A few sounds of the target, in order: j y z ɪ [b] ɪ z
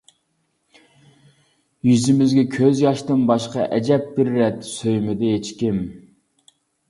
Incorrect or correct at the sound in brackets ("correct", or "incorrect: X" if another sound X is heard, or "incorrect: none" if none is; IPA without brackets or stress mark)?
incorrect: m